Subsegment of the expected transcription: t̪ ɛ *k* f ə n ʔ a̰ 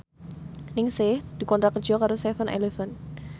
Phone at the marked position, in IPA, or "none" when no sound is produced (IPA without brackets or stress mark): none